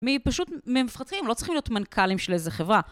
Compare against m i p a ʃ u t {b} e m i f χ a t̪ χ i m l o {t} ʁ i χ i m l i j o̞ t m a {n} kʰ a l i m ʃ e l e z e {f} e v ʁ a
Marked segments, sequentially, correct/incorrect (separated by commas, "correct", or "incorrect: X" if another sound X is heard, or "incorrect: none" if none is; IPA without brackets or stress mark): incorrect: m, incorrect: t͡s, correct, incorrect: χ